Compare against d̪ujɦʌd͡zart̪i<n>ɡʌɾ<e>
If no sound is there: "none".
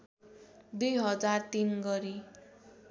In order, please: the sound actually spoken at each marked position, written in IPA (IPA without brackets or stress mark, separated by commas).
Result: n, i